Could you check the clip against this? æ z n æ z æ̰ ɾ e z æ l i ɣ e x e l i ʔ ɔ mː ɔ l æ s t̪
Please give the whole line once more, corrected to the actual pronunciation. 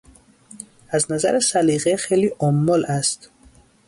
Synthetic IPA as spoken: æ z n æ z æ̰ ɾ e s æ l i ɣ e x e l i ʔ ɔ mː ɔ l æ s t̪